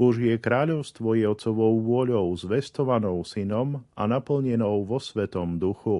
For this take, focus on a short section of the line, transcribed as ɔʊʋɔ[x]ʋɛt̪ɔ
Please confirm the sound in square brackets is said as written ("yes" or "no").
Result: no